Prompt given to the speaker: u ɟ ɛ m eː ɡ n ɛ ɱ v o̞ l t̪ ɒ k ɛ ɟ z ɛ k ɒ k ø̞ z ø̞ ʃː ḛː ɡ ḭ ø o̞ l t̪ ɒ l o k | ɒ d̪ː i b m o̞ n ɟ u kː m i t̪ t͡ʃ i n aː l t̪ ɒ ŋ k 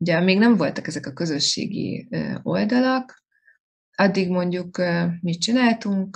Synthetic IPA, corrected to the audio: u ɟ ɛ m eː ɡ n ɛ ɱ v o̞ l t̪ ɒ k ɛ z ɛ k ɒ k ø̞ z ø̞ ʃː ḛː ɡ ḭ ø o̞ l d̪ ɒ l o k | ɒ d̪ː i ɡ m o̞ ɲ ɟ u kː m i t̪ t͡ʃ i n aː l t̪ u ŋ k